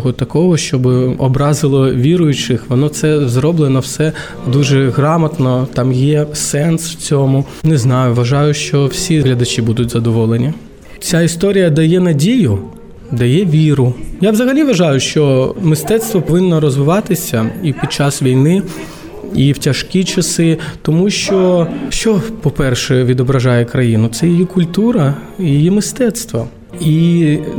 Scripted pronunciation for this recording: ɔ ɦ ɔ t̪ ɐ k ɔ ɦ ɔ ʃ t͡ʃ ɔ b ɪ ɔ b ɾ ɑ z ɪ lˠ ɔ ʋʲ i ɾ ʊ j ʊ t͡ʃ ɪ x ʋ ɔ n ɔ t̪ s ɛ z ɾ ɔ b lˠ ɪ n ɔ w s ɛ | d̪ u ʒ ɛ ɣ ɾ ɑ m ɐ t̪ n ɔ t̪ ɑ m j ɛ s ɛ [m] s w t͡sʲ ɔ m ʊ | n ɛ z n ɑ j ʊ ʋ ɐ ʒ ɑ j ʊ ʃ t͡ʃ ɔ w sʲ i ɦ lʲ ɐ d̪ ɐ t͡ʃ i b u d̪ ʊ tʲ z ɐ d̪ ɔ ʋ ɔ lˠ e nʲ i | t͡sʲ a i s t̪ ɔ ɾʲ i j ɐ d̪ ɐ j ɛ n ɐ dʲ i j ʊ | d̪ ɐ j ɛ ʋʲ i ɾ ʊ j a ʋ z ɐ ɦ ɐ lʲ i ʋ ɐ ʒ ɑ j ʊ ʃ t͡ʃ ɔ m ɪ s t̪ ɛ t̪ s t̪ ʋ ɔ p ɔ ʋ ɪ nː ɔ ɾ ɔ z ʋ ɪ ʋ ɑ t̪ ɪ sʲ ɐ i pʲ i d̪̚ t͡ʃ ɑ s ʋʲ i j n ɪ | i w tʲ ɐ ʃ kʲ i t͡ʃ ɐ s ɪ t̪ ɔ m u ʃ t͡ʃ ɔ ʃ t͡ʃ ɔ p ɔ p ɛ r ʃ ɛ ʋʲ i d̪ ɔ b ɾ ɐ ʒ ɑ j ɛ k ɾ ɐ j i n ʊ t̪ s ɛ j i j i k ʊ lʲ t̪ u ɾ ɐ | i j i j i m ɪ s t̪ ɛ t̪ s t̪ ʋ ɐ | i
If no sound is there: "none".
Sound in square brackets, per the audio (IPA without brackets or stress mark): n